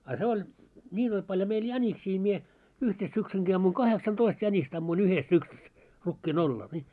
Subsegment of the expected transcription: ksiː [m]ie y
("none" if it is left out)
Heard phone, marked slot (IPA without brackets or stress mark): m